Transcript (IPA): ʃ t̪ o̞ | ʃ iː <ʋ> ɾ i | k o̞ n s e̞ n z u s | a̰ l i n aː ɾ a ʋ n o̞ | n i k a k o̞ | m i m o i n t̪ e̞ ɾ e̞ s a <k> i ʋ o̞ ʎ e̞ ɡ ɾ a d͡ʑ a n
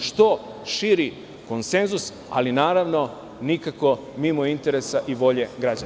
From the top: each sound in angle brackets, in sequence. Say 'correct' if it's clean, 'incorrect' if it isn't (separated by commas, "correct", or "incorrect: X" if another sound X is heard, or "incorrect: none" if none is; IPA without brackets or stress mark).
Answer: incorrect: none, incorrect: ʔ